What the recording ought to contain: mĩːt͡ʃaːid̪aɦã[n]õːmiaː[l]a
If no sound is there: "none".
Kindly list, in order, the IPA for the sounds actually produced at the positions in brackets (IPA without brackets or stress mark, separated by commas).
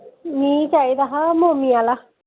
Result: m, l